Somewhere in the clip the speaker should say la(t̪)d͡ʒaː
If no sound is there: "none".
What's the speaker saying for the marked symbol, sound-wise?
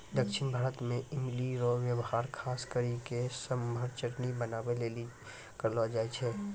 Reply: none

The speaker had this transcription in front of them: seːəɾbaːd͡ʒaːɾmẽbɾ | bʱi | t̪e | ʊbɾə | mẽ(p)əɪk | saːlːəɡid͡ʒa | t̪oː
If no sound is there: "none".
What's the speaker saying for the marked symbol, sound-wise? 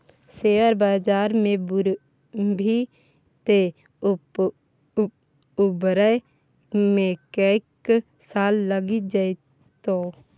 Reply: k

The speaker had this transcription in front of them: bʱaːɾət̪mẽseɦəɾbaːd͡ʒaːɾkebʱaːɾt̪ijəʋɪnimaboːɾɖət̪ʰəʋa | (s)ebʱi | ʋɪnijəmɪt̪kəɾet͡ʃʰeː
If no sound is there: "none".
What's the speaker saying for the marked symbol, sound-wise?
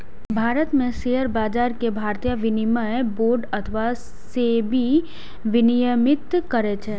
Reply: s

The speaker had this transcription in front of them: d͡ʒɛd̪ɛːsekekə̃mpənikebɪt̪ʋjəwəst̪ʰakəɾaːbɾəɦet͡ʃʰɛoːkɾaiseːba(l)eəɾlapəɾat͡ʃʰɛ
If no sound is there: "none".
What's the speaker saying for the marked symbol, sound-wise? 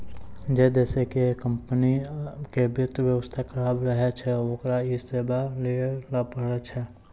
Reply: l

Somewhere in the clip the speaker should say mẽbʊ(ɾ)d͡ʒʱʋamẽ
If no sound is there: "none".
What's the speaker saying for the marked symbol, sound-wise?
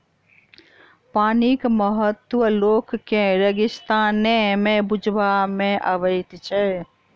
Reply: none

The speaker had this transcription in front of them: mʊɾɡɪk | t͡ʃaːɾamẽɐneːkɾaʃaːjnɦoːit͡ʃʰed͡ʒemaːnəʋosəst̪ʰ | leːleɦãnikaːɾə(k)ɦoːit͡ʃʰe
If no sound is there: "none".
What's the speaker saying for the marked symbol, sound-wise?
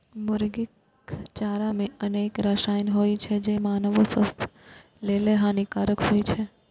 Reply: k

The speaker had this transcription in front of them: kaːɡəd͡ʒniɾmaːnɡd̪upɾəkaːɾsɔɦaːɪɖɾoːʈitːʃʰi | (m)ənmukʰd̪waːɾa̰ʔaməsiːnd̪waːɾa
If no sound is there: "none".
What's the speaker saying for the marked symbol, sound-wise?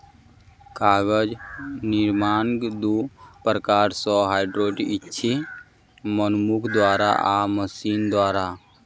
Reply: m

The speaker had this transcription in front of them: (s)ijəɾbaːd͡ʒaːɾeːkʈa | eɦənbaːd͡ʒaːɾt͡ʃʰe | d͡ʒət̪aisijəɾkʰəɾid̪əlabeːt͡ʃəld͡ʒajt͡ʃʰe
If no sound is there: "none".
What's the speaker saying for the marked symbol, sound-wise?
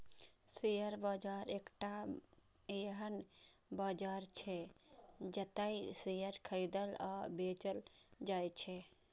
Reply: s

